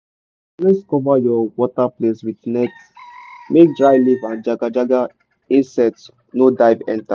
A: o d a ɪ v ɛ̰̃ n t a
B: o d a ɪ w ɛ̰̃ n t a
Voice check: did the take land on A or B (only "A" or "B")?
A